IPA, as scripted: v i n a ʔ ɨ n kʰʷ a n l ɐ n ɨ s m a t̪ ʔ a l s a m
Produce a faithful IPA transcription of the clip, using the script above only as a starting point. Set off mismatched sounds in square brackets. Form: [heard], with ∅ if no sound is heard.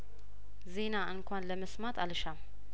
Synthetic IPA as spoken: [z] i n a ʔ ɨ n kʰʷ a n l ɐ [m] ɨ s m a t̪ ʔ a l [ʃ] a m

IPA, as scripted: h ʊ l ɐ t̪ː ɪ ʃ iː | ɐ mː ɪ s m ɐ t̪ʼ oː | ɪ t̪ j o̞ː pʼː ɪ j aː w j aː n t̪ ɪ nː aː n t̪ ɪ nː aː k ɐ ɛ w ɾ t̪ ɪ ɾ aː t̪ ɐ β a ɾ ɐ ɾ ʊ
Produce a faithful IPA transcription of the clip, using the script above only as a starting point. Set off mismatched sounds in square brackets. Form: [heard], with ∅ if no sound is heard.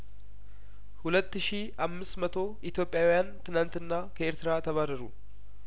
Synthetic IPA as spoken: h ʊ l ɐ t̪ː ɪ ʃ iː | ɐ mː ɪ s m ɐ [t̪] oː | ɪ t̪ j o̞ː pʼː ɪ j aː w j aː n t̪ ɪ [n] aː n t̪ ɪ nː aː k ɐ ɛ [∅] ɾ t̪ ɪ ɾ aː t̪ ɐ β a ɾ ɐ ɾ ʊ

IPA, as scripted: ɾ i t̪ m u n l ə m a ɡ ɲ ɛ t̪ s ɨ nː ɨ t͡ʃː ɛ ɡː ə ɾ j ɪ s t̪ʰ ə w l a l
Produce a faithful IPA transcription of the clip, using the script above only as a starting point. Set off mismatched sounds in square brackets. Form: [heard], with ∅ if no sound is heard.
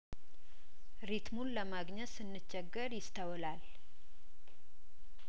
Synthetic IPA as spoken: ɾ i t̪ m u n l ə m a ɡ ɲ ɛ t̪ s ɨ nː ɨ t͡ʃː ɛ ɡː ə ɾ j ɪ s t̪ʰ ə w l a l

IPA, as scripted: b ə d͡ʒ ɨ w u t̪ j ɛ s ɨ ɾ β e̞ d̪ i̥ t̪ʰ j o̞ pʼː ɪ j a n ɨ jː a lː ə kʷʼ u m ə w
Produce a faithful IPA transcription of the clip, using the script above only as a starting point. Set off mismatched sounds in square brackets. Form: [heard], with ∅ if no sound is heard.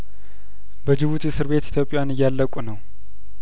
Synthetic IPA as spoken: b ə d͡ʒ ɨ [β] u t̪ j ɛ s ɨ ɾ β e̞ [t̪] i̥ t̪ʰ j o̞ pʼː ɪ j a n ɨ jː a lː ə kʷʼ u [n] ə w

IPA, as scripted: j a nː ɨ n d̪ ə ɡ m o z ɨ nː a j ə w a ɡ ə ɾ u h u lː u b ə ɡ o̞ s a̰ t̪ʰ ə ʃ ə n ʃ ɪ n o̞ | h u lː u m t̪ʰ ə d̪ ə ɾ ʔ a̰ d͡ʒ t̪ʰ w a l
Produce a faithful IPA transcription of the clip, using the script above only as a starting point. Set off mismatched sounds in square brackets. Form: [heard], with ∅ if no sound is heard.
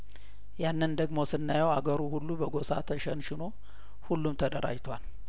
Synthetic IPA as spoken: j a nː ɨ n d̪ ə ɡ m o [s] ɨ nː a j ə w a ɡ ə ɾ u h u lː u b ə ɡ o̞ s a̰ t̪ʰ ə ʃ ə n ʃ ɪ n o̞ | h u lː u m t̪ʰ ə d̪ ə ɾ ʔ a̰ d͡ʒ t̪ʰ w a l

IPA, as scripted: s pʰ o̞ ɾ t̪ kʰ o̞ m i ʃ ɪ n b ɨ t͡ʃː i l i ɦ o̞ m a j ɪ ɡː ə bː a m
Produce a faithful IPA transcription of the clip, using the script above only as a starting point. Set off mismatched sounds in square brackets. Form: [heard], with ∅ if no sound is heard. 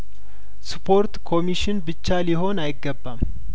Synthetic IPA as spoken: s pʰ o̞ ɾ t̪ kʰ o̞ m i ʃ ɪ n b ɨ t͡ʃː [a] l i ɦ o̞ [n] a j ɪ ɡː ə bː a m

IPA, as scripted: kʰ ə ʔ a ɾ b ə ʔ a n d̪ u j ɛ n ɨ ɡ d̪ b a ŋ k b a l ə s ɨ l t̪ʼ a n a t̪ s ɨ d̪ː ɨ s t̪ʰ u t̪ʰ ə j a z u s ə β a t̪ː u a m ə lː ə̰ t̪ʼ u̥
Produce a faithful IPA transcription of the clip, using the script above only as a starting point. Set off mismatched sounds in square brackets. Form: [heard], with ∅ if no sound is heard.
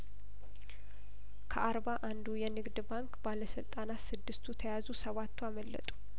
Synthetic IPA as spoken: kʰ ə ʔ a ɾ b [a] ʔ a n d̪ u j ɛ n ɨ ɡ d̪ b a ŋ k b a l ə s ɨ l t̪ʼ a n a t̪ s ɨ d̪ː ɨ s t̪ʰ u t̪ʰ ə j a z u s ə β a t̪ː u a m ə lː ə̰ t̪ʼ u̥

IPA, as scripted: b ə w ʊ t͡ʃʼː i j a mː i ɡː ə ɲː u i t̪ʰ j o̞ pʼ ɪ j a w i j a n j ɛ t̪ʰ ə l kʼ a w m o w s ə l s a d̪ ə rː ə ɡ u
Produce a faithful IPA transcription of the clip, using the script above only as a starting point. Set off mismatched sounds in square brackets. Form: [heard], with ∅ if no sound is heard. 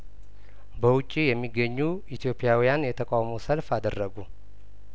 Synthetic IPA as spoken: b ə w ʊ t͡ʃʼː i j [ɛ] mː i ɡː ə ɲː u i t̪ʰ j o̞ pʼ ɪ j a w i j a n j ɛ t̪ʰ ə [∅] kʼ a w m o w s ə l [f] a d̪ ə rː ə ɡ u

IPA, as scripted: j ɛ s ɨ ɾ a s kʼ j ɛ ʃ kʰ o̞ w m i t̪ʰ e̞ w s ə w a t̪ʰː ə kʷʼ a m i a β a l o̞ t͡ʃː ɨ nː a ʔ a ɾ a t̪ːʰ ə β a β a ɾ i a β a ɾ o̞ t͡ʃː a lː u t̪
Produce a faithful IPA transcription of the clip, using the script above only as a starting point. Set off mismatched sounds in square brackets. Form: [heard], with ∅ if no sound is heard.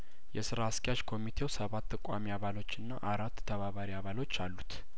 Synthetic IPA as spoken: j ɛ s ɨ ɾ a s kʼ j [a] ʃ kʰ o̞ [∅] m i t̪ʰ e̞ w s ə [β] a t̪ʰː ə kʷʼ a m i a β a l o̞ t͡ʃː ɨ nː a ʔ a ɾ a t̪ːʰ ə β a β a ɾ i a β a [l] o̞ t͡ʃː a lː u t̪

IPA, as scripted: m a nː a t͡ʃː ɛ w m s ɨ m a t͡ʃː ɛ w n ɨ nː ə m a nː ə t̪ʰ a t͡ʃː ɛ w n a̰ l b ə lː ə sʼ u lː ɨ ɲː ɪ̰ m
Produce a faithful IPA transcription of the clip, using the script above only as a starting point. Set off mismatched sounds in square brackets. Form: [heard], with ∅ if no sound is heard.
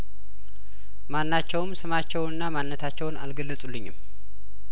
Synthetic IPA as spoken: m a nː a t͡ʃː ɛ w m s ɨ m a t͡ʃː ɛ w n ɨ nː [a] m a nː ə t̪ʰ a t͡ʃː ɛ w n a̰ l [ɡ] ə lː ə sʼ u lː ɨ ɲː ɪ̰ m

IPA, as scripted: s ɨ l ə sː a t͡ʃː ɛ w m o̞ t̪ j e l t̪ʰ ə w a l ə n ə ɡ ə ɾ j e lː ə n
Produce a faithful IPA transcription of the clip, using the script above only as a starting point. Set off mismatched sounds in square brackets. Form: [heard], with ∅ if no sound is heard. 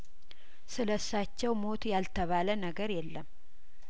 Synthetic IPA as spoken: s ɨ l ə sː a t͡ʃː ɛ w m o̞ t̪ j [a] l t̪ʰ ə [β] a l ə n ə ɡ ə ɾ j [ɛ] lː ə [m]

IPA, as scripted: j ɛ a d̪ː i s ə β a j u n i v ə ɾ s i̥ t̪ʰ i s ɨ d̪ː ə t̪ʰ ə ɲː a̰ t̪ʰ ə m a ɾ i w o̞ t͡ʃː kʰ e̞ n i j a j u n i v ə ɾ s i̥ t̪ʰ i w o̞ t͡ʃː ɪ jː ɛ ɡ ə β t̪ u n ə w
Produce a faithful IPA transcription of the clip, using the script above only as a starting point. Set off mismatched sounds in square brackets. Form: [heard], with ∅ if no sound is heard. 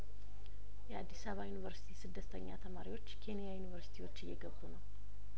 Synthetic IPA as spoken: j ɛ a d̪ː i s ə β a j u n i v ə ɾ s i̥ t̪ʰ i s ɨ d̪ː ə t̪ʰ ə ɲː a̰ t̪ʰ ə m a ɾ i w o̞ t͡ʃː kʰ e̞ n i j a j u n i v ə ɾ s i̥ t̪ʰ i w o̞ t͡ʃː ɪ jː ɛ ɡ ə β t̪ u n ə w

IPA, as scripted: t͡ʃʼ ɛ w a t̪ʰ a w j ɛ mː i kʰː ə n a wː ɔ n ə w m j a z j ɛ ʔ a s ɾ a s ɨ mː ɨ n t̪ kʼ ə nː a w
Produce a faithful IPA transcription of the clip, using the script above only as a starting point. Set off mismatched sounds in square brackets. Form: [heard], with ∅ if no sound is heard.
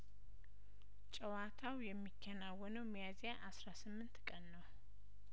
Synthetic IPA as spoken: t͡ʃʼ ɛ w a t̪ʰ a w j ɛ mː i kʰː ə n a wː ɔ n ə w m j a z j [a] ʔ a s ɾ a s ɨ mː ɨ n t̪ kʼ ə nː [ə] w

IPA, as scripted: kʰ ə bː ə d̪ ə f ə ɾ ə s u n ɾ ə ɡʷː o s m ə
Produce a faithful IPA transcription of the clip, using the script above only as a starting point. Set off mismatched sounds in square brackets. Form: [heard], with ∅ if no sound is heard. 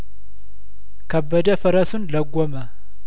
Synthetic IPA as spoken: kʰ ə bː ə d̪ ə f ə ɾ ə s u n [l] ə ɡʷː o [∅] m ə

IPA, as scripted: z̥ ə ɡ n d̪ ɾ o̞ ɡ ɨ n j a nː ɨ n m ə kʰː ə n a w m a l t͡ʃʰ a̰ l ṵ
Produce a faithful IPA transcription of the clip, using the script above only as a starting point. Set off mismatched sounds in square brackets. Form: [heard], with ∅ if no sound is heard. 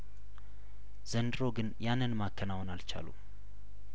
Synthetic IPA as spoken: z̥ ə [∅] n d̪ ɾ o̞ ɡ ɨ n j a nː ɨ n m [a] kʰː ə n a w [n] a l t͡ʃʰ a̰ l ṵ

